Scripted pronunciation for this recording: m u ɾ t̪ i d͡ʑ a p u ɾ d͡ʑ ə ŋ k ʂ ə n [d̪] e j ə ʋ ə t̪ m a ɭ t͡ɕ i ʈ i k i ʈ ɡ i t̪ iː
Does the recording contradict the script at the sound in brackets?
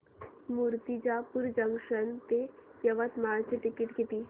yes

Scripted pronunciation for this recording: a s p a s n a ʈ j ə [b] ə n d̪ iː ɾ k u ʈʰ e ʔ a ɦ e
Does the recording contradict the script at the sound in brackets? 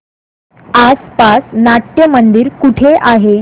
yes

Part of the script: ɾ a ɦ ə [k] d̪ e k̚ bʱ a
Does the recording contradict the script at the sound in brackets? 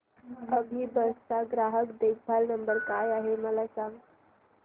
no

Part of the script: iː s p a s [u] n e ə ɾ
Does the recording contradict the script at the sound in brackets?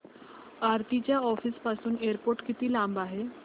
yes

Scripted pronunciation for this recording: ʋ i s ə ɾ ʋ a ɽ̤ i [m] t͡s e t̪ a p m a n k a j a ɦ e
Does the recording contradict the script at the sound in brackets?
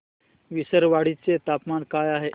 yes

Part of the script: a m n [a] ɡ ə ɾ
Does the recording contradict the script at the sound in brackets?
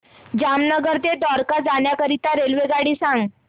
yes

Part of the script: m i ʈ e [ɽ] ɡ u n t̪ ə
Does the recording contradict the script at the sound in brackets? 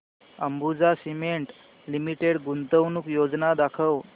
no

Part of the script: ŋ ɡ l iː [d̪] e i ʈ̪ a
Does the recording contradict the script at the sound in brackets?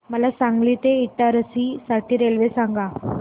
yes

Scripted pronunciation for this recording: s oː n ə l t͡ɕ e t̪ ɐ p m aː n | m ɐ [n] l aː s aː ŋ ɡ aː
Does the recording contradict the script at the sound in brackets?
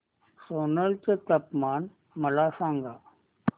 yes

